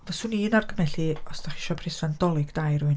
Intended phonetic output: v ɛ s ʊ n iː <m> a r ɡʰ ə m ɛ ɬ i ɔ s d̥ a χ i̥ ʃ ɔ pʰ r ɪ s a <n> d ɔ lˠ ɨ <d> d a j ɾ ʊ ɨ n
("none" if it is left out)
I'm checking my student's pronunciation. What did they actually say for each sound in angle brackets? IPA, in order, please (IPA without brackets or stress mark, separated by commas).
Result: n, n, ɡ